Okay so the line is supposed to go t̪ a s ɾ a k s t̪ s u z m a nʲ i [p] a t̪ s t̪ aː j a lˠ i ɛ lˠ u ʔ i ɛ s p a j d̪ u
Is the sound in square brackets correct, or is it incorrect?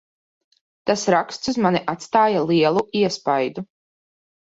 incorrect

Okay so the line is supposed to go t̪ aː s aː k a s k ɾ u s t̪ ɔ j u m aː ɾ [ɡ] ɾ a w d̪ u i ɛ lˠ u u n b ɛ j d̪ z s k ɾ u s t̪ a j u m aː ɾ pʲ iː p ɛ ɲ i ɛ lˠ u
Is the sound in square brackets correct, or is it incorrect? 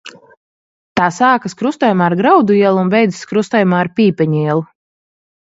correct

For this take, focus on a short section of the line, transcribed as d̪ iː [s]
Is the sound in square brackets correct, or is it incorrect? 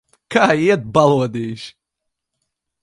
incorrect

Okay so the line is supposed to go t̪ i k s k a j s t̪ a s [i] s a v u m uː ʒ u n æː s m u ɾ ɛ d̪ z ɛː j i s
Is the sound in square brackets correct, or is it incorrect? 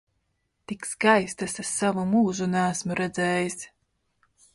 incorrect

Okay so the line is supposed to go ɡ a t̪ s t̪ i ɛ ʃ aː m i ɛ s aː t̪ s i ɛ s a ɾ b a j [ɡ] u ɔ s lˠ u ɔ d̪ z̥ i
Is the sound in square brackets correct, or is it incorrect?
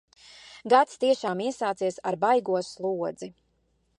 correct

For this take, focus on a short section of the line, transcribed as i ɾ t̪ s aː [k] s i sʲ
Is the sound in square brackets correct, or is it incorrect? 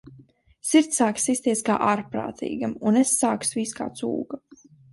correct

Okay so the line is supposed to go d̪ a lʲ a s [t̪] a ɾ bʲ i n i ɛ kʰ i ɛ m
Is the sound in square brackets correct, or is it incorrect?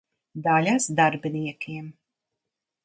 incorrect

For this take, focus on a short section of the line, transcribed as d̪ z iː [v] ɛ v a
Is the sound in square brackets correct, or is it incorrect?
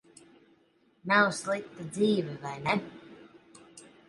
correct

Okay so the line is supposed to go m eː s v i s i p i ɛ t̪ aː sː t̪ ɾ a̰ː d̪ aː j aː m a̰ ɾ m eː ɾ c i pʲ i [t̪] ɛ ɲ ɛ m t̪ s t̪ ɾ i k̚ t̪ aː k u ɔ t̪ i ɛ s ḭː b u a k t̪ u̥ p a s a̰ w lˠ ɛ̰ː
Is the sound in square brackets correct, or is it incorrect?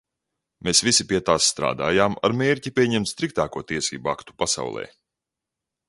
incorrect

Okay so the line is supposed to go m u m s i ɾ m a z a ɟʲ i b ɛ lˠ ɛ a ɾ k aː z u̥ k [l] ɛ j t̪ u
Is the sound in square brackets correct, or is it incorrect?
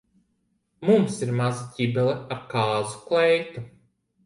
correct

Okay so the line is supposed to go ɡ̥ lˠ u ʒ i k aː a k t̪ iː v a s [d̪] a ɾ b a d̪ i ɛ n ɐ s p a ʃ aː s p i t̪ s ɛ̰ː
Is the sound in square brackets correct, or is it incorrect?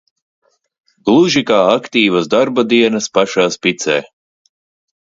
correct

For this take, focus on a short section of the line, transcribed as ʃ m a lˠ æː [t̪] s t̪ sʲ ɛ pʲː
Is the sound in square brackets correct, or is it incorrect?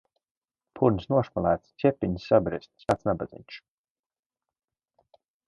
correct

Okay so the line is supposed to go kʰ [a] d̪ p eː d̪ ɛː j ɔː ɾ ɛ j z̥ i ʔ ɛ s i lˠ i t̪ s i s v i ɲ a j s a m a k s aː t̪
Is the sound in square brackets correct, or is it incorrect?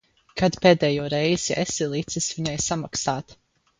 correct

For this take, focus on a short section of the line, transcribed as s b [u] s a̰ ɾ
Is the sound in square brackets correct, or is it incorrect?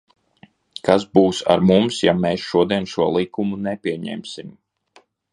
incorrect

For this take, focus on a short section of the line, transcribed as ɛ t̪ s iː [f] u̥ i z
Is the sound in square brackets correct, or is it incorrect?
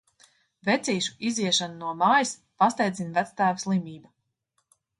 incorrect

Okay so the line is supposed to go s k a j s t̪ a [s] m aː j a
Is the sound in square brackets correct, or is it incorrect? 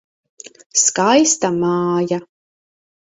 incorrect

